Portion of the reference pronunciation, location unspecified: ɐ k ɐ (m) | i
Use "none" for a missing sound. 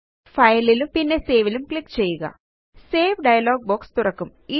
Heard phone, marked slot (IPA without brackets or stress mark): m